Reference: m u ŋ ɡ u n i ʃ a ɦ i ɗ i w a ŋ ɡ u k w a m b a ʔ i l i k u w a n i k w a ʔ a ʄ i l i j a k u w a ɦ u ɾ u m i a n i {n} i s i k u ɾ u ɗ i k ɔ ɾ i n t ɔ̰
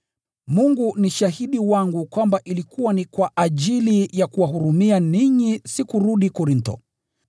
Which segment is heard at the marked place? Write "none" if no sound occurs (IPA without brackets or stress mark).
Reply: ɲ